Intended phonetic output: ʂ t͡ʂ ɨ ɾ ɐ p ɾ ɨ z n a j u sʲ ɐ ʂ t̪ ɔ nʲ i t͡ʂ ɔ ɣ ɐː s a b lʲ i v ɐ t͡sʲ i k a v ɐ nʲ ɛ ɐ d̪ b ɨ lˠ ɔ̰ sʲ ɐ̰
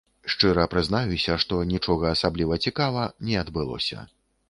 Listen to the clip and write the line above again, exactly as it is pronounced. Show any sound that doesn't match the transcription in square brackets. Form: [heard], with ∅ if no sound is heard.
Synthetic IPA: ʂ t͡ʂ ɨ ɾ ɐ p ɾ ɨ z n a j u sʲ ɐ ʂ t̪ ɔ nʲ i t͡ʂ ɔ ɣ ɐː s a b lʲ i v ɐ t͡sʲ i k a v ɐ nʲ ɛ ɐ d̪ b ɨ lˠ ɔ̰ sʲ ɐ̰